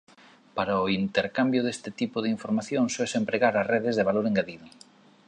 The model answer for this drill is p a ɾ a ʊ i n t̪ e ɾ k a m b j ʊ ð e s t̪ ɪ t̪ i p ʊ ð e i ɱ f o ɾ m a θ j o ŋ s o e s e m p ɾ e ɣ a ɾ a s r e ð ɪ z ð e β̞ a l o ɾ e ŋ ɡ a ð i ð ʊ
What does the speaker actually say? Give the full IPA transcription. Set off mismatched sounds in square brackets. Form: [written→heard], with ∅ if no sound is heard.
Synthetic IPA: p a ɾ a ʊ i n t̪ e ɾ k a m b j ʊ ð e s t̪ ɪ t̪ i p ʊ ð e i ɱ f o ɾ m a θ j o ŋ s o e s e m p ɾ e ɣ a ɾ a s r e ð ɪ z ð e β̞ a l o ɾ e ŋ ɡ a ð i ð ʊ